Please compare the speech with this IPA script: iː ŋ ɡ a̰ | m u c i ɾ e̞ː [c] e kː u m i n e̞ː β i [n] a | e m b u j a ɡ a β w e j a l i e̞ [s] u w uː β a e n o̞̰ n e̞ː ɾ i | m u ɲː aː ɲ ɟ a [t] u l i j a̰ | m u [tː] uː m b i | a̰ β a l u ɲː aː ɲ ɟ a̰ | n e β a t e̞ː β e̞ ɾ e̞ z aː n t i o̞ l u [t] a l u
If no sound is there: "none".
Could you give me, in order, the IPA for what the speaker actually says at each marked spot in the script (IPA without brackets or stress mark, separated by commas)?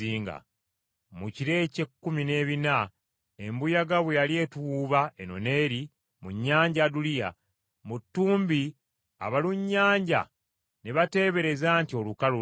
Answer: c, n, t, d, tː, k